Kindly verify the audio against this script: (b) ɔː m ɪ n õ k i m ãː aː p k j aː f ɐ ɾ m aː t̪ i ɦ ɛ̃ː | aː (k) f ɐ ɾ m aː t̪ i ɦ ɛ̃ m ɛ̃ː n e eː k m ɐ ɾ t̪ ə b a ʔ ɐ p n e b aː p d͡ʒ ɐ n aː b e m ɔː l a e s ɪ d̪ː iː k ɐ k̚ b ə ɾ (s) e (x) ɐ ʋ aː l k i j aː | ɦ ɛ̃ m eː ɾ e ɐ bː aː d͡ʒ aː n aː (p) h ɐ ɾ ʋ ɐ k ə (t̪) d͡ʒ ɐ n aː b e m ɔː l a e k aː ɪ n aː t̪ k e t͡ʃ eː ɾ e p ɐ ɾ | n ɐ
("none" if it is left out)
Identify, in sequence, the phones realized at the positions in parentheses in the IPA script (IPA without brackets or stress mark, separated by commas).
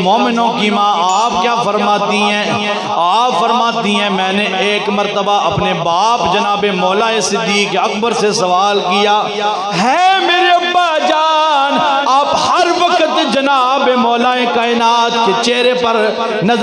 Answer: m, p, s, s, p, t̪